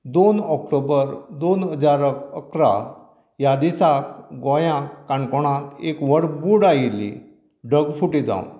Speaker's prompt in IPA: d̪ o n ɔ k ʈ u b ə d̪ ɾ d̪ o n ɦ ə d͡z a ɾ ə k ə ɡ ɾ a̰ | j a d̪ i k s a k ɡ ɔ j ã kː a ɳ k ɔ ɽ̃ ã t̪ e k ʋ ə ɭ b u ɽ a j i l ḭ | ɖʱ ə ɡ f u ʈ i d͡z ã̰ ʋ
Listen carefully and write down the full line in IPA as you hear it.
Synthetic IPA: d̪ o n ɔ k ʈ o b ə ɾ d̪ o n ɦ ə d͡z a ɾ ə k ə k ɾ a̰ | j a d̪ i s a k ɡ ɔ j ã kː a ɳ k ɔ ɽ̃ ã t̪ e k ʋ ə ɽ b u ɽ a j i l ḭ | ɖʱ ə ɡ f u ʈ i d͡z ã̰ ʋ